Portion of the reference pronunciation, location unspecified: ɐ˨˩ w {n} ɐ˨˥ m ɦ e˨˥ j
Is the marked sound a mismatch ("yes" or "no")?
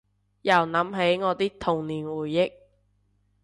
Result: no